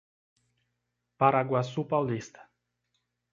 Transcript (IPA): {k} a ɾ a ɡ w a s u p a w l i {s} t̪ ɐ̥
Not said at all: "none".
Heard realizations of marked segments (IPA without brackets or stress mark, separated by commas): p, s